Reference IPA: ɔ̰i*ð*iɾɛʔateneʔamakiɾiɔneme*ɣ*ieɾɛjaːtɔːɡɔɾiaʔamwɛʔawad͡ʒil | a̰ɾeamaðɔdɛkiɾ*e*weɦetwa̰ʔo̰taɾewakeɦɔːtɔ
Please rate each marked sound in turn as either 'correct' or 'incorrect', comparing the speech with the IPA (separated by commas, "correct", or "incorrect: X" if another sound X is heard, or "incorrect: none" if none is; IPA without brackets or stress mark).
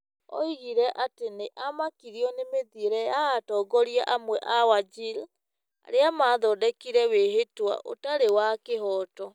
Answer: incorrect: ɣ, incorrect: ð, incorrect: ɛ